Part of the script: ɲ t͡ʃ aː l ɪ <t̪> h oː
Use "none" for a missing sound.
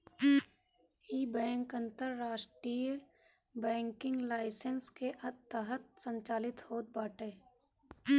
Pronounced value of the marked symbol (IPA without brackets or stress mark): t̪